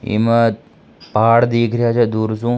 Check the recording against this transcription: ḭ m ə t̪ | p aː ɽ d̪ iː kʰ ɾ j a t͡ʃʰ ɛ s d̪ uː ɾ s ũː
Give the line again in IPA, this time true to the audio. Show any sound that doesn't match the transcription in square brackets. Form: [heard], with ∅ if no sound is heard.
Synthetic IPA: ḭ m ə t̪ | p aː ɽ d̪ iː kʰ ɾ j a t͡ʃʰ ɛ [∅] d̪ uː ɾ s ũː